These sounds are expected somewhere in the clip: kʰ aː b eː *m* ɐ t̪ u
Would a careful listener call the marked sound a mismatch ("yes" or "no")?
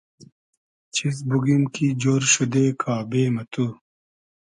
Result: no